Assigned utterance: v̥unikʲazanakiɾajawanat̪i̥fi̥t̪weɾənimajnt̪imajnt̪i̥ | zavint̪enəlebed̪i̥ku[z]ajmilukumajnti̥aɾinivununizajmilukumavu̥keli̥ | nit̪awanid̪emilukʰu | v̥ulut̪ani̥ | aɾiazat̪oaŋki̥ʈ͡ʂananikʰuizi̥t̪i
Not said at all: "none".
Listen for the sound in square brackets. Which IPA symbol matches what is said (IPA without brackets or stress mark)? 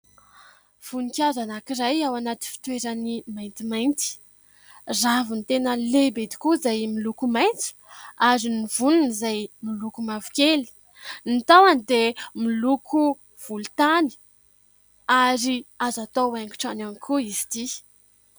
z